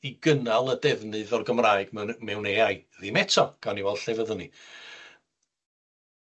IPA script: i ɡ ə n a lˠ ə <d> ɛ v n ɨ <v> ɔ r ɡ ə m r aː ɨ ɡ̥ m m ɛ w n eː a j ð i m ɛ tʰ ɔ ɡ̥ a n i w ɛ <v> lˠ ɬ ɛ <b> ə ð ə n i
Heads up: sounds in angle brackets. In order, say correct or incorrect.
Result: correct, incorrect, incorrect, incorrect

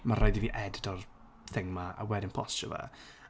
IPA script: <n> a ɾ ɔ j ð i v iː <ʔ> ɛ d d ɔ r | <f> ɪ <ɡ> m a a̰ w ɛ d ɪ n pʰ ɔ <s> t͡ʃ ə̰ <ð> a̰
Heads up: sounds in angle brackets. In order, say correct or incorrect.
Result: incorrect, correct, incorrect, incorrect, correct, incorrect

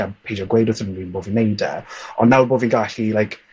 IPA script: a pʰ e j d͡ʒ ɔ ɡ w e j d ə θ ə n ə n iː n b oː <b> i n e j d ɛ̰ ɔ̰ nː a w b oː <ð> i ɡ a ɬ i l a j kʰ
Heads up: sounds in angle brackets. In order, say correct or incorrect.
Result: incorrect, incorrect

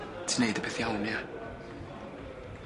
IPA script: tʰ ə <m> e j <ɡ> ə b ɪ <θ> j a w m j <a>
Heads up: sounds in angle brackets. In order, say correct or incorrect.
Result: incorrect, incorrect, correct, correct

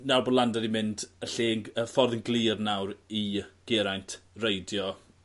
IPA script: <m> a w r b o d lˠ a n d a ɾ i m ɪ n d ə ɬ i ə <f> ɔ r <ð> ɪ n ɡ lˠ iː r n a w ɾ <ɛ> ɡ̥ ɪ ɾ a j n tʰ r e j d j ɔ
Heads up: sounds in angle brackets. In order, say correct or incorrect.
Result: incorrect, correct, correct, incorrect

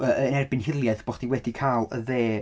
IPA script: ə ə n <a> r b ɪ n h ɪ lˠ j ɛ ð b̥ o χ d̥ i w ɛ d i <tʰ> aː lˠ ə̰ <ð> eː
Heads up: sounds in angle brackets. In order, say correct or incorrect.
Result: incorrect, incorrect, correct

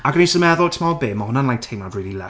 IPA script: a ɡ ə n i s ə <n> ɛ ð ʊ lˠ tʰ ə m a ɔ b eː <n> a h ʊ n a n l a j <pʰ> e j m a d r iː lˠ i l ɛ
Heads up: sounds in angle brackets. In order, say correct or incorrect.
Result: incorrect, incorrect, incorrect

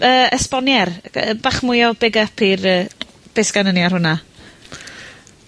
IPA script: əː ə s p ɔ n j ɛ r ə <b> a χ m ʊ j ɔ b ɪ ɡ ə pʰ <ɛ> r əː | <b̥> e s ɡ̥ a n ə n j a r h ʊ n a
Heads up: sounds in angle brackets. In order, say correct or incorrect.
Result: correct, incorrect, correct

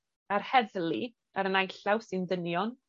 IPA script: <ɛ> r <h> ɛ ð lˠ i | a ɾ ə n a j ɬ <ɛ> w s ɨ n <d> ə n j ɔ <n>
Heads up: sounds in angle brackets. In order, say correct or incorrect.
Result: incorrect, correct, incorrect, correct, correct

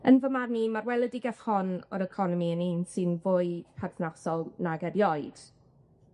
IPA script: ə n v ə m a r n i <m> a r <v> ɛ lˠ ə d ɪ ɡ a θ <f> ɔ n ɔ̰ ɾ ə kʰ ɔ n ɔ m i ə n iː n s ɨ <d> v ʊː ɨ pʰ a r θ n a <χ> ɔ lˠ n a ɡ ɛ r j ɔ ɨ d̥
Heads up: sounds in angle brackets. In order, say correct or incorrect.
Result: correct, incorrect, incorrect, incorrect, incorrect

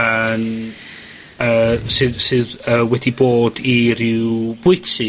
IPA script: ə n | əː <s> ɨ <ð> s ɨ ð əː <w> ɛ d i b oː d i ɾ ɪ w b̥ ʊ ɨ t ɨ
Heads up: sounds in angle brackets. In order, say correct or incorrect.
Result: correct, correct, correct

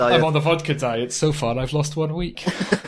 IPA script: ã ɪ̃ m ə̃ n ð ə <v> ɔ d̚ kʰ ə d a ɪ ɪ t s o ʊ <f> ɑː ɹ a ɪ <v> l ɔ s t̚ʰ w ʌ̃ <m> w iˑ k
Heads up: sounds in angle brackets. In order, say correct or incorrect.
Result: correct, correct, correct, incorrect

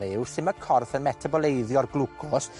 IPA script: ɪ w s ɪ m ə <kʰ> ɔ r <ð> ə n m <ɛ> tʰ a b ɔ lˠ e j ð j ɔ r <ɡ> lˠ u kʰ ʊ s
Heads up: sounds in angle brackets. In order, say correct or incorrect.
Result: correct, incorrect, correct, correct

